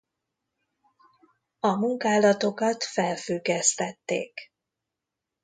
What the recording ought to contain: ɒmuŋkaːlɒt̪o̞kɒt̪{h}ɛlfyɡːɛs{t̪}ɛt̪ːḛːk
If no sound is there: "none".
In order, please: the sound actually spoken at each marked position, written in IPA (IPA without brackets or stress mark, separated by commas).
f, t̪